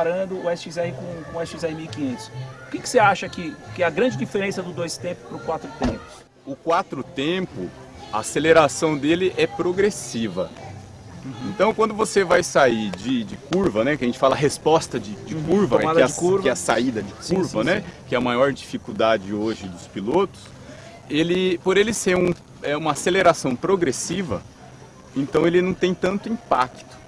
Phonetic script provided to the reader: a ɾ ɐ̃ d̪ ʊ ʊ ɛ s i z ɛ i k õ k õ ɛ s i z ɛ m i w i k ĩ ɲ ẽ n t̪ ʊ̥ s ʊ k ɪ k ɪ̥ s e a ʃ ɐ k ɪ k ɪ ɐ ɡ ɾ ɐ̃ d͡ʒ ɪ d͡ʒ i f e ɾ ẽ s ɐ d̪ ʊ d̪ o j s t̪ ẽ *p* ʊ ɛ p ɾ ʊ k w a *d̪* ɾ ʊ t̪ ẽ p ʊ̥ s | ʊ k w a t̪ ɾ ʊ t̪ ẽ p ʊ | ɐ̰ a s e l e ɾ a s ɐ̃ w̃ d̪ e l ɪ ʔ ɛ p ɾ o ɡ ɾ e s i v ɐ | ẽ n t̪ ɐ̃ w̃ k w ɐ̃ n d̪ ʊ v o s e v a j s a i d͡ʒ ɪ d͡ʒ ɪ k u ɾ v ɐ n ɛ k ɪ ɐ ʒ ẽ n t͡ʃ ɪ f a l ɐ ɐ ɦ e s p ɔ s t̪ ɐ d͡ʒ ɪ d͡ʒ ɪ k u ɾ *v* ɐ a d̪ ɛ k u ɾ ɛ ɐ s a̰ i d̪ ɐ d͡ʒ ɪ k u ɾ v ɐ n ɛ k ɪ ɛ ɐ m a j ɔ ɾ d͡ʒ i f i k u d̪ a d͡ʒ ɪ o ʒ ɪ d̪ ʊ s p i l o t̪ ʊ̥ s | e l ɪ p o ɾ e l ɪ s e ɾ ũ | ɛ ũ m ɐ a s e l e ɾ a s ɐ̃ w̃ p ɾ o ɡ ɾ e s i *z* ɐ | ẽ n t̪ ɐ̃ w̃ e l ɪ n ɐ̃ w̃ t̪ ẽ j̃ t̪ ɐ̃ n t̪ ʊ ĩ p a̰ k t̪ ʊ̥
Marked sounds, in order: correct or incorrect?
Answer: correct, incorrect, correct, incorrect

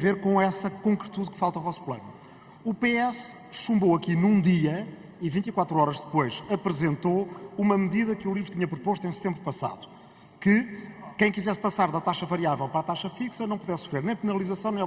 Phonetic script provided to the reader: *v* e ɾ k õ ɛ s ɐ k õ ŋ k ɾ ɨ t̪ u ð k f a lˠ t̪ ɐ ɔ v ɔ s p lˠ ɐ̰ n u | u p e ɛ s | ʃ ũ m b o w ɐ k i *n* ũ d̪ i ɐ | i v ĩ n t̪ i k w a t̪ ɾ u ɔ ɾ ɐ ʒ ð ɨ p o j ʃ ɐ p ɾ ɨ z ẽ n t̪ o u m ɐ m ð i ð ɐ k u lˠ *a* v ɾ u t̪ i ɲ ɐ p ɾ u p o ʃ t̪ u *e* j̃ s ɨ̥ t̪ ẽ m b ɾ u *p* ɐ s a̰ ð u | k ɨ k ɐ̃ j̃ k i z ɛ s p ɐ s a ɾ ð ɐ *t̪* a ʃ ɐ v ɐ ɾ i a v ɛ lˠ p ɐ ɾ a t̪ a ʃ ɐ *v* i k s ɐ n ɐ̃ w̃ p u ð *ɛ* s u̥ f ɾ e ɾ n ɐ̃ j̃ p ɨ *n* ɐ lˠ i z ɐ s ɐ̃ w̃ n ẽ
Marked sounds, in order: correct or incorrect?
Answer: correct, correct, incorrect, incorrect, correct, correct, incorrect, correct, correct

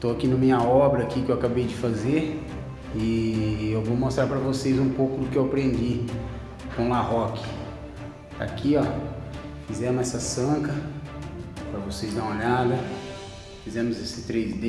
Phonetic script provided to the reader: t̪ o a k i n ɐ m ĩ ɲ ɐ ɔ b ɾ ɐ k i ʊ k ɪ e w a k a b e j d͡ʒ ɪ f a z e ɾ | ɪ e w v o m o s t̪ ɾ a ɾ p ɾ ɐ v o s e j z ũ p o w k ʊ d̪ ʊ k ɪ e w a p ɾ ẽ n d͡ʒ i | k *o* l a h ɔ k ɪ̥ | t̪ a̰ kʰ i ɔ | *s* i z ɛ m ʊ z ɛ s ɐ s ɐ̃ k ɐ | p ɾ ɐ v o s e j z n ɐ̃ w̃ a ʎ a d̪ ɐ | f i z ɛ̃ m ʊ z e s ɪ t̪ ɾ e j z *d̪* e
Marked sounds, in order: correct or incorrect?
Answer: incorrect, incorrect, correct

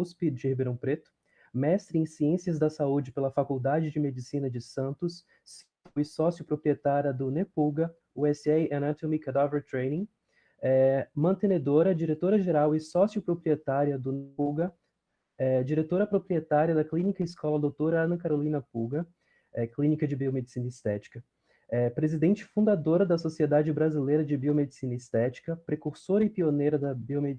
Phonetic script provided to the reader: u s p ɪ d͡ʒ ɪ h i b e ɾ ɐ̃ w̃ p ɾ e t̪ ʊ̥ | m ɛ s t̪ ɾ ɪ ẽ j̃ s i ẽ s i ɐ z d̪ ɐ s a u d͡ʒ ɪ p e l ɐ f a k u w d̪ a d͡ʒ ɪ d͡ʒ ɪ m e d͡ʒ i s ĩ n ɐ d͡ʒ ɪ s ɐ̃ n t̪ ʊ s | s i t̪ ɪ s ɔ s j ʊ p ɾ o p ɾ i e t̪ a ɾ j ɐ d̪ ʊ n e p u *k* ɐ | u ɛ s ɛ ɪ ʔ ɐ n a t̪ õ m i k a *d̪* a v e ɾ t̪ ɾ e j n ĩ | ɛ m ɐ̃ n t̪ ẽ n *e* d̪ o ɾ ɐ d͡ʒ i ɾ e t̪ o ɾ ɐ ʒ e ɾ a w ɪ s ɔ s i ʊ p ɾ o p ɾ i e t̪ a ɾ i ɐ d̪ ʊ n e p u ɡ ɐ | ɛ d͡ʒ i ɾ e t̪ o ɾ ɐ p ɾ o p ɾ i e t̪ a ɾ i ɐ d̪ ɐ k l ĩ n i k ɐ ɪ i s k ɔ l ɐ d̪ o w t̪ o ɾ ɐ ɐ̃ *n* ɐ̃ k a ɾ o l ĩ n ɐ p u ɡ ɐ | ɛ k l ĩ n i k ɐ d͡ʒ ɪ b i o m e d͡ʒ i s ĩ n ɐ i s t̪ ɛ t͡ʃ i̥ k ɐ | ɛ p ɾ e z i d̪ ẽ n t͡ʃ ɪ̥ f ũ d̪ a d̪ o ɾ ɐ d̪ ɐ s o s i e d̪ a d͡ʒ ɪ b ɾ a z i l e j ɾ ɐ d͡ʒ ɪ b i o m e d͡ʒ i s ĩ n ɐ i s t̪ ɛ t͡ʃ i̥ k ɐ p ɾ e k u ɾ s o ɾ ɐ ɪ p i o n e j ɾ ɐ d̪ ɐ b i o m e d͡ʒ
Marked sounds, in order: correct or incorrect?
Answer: incorrect, correct, correct, correct

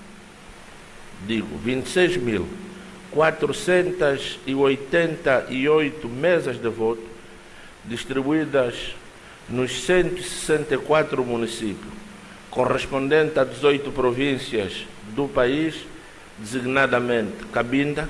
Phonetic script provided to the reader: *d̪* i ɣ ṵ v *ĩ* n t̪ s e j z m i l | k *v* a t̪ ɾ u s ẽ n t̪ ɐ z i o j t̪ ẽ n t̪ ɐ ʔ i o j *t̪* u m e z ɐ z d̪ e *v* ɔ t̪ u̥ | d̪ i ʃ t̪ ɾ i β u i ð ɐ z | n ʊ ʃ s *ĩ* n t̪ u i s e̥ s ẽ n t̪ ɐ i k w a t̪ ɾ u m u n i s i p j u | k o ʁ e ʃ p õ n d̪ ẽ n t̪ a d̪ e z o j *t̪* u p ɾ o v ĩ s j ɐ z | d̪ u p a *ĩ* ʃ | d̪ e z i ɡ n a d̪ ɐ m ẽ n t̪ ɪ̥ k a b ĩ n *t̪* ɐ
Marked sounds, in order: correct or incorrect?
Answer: correct, correct, incorrect, correct, correct, incorrect, correct, incorrect, incorrect

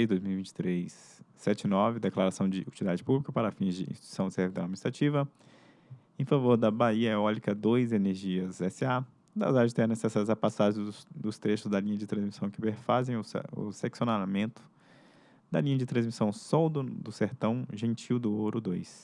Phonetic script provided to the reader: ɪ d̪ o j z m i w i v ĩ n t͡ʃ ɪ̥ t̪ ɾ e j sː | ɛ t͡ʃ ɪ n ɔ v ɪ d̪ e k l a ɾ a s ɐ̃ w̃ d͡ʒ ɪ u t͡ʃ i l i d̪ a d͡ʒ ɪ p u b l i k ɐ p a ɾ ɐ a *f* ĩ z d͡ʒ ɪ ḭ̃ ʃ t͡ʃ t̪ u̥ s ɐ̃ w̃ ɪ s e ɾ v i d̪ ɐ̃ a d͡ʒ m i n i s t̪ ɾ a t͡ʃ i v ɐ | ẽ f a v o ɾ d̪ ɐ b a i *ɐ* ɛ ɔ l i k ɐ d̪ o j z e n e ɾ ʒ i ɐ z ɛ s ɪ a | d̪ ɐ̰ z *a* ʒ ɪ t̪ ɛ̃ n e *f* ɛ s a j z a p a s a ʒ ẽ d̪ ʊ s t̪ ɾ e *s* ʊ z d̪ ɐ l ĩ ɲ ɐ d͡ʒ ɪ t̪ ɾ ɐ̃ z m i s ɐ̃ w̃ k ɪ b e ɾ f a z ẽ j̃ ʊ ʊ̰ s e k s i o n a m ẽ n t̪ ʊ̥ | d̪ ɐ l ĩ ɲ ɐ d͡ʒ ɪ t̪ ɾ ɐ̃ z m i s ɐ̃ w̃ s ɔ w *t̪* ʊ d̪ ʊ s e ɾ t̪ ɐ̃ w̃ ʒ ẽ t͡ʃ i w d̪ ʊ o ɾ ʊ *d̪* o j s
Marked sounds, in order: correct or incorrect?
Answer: correct, correct, correct, incorrect, incorrect, incorrect, correct

